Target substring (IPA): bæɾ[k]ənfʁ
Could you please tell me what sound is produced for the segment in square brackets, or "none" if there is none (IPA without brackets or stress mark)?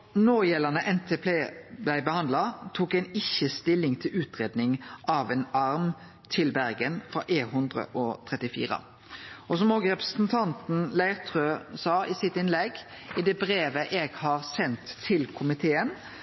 ɡ